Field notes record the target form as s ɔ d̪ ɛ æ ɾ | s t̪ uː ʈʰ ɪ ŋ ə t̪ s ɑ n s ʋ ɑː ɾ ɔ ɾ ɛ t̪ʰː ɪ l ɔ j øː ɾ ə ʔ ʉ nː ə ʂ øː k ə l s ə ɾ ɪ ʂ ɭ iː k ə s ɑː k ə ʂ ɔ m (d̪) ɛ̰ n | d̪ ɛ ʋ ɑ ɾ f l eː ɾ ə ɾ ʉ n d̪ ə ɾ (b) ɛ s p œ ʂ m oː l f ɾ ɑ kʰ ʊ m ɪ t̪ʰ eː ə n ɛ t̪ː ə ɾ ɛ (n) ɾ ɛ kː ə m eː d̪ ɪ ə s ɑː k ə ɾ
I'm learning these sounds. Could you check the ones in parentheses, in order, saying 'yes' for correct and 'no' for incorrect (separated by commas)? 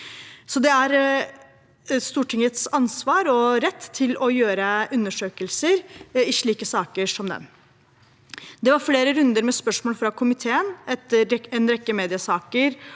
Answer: yes, no, yes